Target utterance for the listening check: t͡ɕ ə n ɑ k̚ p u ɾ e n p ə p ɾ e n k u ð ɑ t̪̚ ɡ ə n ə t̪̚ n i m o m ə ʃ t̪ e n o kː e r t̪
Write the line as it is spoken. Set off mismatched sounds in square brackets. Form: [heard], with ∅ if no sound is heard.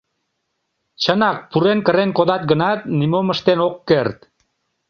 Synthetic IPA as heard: t͡ɕ ə n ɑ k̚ p u ɾ e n [k] ə [∅] ɾ e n k [o] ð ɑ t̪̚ ɡ ə n [ɑ] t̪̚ n i m o m ə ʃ t̪ e n o kː e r t̪